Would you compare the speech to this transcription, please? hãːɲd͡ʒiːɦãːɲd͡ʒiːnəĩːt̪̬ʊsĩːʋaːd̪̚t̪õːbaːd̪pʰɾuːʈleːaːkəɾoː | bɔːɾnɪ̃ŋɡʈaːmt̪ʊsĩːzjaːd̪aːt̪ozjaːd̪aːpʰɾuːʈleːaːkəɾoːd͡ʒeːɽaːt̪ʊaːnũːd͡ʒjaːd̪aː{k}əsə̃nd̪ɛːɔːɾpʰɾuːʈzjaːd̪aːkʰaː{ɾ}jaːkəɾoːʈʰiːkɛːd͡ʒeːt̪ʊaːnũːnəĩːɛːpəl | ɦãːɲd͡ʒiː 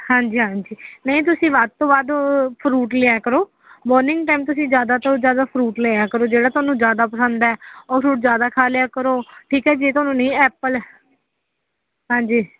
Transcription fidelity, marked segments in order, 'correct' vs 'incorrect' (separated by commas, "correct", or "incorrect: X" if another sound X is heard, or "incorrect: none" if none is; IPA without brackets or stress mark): incorrect: p, incorrect: l